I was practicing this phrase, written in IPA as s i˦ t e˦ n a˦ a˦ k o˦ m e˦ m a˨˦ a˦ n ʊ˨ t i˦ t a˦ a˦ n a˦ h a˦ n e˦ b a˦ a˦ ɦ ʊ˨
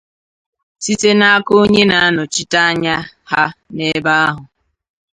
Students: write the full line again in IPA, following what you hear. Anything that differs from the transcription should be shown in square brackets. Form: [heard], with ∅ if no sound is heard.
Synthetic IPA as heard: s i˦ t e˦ n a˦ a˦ k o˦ [ɲ] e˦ [n] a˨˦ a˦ n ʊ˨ [t͡ʃ] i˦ t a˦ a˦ [ɲ] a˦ h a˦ n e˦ b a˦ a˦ ɦ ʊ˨